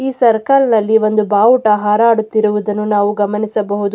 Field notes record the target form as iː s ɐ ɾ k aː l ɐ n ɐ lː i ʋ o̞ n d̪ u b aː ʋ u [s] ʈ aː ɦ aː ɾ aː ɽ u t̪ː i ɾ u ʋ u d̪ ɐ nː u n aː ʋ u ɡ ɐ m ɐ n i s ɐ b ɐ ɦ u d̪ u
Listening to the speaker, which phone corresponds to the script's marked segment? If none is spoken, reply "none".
none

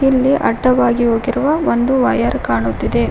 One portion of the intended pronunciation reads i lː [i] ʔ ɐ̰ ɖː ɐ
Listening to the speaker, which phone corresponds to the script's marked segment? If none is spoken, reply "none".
i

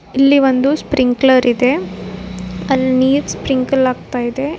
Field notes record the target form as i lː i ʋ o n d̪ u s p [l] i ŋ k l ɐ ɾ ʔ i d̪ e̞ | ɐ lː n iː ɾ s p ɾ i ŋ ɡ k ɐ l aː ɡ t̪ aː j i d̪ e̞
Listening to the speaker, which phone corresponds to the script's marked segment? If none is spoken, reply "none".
ɾ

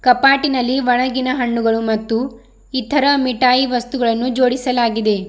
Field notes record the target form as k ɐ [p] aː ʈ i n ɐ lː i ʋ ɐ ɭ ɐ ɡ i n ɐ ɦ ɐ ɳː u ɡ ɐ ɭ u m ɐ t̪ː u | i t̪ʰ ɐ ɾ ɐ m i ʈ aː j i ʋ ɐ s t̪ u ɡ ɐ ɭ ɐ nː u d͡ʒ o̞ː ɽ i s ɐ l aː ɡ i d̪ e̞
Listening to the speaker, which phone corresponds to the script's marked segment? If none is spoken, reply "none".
p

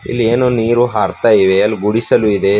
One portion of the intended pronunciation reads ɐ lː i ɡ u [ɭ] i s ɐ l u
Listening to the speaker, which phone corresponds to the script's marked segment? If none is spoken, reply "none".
ɽ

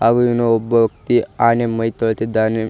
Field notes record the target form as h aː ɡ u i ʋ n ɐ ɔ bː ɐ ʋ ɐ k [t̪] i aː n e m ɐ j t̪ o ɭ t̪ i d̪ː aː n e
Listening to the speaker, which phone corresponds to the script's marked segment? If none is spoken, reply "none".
t̪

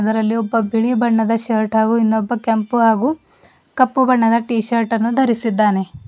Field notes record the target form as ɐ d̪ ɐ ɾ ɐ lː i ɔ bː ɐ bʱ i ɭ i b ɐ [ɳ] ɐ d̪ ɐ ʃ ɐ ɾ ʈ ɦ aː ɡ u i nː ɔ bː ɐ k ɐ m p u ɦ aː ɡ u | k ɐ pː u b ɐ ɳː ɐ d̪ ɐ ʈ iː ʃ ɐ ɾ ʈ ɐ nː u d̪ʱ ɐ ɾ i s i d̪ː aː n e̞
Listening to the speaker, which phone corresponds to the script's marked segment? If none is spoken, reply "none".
ɳː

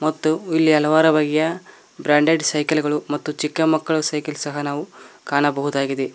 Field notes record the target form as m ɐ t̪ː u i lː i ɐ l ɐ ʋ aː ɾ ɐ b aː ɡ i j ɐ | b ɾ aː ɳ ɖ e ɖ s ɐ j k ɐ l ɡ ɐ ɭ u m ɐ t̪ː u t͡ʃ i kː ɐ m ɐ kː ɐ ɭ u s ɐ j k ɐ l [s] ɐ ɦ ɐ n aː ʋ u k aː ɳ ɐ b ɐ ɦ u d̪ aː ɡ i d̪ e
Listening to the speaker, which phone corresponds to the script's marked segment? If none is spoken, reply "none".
s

